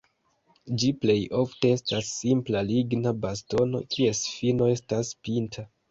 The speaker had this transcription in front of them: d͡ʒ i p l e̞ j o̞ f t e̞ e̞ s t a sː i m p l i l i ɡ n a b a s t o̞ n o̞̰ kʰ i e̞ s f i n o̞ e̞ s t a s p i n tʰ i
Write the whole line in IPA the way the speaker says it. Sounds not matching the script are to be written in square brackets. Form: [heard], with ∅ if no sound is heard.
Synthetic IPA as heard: d͡ʒ i p l e̞ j o̞ f t e̞ e̞ s t a sː i m p l [a] l i ɡ n a b a s t o̞ n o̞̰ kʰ i e̞ s f i n o̞ e̞ s t a s p i n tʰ [a]